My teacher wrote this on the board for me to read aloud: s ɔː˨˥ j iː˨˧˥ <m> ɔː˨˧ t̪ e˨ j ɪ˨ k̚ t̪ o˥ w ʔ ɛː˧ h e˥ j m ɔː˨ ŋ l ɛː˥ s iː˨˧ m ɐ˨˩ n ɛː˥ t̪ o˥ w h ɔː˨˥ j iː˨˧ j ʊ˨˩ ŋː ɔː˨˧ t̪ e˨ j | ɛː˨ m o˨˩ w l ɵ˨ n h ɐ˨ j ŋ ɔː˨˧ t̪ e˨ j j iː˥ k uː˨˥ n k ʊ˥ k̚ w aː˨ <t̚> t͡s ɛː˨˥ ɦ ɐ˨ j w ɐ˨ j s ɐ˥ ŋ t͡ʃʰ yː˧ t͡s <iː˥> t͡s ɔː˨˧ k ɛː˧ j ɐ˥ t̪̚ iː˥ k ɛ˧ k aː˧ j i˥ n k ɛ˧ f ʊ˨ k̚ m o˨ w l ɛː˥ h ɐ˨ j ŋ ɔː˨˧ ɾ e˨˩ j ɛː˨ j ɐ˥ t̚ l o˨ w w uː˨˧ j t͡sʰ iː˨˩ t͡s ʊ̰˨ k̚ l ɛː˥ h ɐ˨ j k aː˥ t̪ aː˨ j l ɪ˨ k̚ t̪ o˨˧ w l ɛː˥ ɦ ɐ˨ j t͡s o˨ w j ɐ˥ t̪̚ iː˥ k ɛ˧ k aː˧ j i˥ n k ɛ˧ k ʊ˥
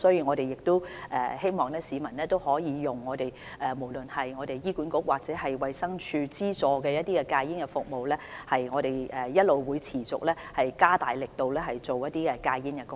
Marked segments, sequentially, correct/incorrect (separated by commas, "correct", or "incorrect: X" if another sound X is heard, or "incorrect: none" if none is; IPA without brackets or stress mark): incorrect: ŋ, incorrect: k̚, correct